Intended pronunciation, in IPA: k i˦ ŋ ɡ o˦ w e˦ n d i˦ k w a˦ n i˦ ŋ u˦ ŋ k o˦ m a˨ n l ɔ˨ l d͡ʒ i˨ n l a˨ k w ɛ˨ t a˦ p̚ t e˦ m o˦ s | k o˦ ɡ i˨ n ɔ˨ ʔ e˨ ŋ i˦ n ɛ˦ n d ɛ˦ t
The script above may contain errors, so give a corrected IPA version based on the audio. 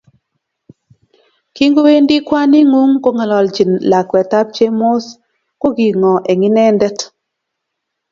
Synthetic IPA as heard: k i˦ ŋ ɡ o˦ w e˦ n d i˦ k w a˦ n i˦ ŋ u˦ ŋ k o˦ ŋ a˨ l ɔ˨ l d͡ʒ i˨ n l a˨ k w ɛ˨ t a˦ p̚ t͡ʃ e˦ m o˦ s | k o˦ ɡ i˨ ŋ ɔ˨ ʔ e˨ ŋ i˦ n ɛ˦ n d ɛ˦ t

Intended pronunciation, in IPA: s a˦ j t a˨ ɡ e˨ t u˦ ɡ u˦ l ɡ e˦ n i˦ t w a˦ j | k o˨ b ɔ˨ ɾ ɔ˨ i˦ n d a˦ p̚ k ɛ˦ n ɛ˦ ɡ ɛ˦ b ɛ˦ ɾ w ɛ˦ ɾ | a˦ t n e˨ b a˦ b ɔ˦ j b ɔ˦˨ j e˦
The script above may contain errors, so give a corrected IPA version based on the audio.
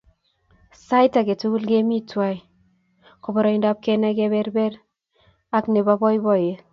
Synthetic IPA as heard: s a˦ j t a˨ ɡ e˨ t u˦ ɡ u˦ l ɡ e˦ m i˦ t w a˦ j | k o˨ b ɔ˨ ɾ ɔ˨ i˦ n d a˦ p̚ k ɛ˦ n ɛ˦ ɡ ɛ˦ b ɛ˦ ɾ b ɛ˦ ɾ | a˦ k n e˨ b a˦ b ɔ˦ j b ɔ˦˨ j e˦

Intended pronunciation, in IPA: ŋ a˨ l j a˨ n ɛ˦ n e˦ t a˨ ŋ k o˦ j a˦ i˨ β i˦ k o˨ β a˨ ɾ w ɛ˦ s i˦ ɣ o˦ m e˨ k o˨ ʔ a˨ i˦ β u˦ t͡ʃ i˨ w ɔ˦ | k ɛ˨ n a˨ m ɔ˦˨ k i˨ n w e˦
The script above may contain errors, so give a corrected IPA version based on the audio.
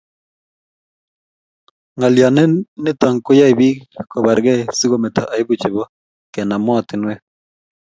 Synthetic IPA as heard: ŋ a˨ l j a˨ n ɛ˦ n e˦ t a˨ ŋ k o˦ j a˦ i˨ β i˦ k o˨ β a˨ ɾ ɣ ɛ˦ s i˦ ɣ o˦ m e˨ t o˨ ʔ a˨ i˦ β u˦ t͡ʃ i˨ β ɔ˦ | k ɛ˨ n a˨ m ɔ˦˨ t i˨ n w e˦

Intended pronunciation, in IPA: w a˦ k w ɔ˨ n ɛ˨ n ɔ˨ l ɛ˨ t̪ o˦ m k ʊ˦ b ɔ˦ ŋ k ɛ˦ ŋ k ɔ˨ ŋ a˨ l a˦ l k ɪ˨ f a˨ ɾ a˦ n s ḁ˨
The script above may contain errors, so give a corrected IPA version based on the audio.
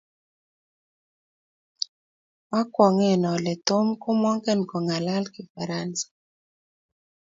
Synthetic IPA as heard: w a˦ k w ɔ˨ ŋ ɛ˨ n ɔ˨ l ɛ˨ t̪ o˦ m k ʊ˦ m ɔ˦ ŋ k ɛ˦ n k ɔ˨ ŋ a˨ l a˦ l k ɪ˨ f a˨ ɾ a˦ n s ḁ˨

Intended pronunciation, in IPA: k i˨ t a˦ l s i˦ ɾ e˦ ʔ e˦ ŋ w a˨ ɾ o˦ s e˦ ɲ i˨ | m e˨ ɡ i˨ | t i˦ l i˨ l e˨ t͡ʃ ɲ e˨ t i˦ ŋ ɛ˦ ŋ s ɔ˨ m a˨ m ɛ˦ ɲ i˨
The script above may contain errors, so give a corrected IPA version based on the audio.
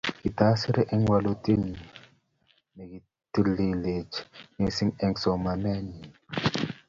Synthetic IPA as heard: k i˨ t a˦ s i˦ ɾ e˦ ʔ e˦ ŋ w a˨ l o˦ t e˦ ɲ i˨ | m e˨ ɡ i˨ | t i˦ l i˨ l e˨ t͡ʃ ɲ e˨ s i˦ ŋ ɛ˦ ŋ s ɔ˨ m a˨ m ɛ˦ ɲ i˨

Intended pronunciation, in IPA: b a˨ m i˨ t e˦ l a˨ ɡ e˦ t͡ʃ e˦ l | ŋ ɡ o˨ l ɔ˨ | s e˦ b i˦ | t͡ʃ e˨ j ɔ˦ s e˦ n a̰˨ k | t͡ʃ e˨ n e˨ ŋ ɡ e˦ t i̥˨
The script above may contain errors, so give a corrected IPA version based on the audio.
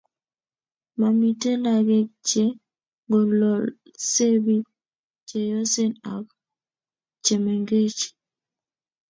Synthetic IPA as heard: m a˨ m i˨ t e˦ l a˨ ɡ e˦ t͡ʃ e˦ | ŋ ɡ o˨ l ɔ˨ | s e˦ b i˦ | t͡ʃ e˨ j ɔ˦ s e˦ n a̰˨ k | t͡ʃ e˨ m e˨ ŋ ɡ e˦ t͡ʃ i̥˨

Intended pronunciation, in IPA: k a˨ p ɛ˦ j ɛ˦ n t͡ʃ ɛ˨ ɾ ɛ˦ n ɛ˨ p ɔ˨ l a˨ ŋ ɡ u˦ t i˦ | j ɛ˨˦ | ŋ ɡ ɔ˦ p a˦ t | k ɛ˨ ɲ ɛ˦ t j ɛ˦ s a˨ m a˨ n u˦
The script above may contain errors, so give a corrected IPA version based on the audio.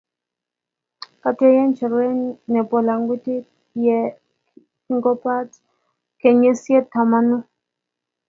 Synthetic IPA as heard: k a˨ t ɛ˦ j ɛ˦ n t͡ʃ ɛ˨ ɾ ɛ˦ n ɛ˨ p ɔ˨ l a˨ ŋ ɡ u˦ t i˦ | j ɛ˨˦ | ŋ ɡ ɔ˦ p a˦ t | k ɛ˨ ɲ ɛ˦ s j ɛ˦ t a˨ m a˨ n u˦

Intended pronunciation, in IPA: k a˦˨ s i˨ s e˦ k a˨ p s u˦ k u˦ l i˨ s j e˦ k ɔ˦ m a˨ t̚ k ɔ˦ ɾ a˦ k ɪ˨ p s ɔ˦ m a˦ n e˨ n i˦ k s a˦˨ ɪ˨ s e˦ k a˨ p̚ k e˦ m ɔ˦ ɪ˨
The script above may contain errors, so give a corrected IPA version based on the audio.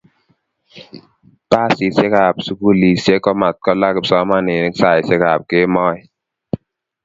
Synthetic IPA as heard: p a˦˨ s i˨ s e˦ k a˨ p s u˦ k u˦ l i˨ s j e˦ k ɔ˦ m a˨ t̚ k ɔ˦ l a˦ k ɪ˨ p s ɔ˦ m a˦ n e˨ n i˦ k s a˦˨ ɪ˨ s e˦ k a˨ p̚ k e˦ m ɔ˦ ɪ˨

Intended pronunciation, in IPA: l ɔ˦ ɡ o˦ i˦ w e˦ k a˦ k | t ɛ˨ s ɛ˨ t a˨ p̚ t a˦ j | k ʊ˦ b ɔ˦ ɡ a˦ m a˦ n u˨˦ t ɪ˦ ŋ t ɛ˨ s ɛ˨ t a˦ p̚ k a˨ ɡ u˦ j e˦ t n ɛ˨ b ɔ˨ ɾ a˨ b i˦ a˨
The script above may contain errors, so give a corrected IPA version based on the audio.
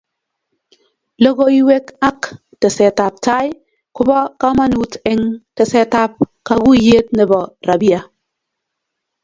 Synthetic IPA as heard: l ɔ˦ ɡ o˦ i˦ w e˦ k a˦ k | t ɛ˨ s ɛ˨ t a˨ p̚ t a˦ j | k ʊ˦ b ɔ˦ k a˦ m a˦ n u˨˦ t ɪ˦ ŋ t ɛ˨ s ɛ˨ t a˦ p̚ k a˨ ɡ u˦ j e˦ t n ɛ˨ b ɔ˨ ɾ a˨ b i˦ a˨

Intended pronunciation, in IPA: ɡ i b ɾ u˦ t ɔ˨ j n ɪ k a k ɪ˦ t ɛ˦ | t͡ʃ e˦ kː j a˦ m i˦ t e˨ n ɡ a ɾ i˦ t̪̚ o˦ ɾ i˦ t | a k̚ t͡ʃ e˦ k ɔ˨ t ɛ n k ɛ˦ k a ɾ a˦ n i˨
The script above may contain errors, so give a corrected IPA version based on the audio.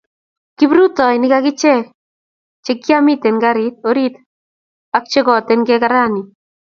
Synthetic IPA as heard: k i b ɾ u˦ t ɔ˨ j n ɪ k a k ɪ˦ t͡ʃ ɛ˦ | t͡ʃ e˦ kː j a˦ m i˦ t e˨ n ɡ a ɾ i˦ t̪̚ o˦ ɾ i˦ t | a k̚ t͡ʃ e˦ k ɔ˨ t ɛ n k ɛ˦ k a ɾ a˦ n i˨

